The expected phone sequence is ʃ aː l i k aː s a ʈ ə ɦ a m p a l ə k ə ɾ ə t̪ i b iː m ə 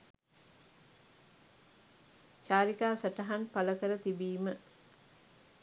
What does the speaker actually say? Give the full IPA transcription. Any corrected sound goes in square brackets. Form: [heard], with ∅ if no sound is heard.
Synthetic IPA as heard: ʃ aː [ɾ] i k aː s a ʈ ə ɦ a [n] p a l ə k ə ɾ ə t̪ i b iː m ə

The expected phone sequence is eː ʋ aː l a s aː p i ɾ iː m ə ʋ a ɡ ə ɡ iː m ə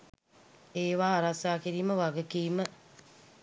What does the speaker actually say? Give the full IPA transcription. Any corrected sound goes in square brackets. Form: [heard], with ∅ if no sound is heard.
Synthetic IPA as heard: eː ʋ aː [ɾ] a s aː [k] i ɾ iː m ə ʋ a ɡ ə [k] iː m ə

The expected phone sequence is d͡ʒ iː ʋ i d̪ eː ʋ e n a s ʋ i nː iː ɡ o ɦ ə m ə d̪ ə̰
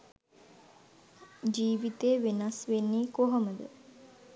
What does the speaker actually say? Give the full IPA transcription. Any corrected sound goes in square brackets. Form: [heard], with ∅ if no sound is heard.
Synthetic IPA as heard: d͡ʒ iː ʋ i [t̪] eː ʋ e n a s ʋ [e] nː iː [k] o ɦ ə m ə d̪ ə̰

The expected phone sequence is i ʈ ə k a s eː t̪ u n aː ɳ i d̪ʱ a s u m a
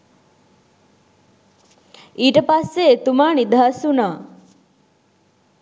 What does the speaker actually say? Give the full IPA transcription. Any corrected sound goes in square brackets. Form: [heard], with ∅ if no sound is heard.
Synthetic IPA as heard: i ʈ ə [p] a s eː t̪ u [m] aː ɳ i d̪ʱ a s u [n] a

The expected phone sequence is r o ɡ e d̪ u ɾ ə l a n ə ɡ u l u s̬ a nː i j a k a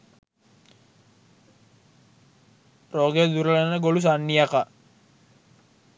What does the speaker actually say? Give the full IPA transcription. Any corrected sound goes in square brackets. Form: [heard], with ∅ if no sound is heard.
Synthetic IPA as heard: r o ɡ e d̪ u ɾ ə l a n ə ɡ [o] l u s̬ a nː i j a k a

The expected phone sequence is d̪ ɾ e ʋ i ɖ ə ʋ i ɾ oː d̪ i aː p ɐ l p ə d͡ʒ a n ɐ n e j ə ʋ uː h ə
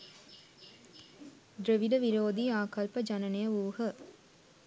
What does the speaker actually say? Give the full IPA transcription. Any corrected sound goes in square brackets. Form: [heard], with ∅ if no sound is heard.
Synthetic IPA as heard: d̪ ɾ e ʋ i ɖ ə ʋ i ɾ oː d̪ i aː [k] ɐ l p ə d͡ʒ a n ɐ n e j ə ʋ uː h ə

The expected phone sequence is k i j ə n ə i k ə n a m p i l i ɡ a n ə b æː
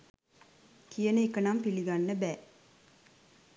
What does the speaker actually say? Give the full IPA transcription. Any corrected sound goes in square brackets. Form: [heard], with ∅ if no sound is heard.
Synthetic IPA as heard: k i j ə n ə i k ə n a m p i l i ɡ a [nː] ə b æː

